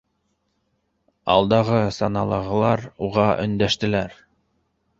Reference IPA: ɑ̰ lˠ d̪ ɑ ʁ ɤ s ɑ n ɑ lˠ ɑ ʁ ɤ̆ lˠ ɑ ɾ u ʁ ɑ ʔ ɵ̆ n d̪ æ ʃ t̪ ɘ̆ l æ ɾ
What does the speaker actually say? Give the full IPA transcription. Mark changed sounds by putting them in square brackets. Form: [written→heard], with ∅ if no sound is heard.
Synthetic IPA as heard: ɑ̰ lˠ d̪ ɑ ʁ ɤ s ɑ n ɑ lˠ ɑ ʁ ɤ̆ lˠ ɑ ɾ u ʁ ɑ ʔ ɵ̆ n d̪ æ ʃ t̪ ɘ̆ l æ ɾ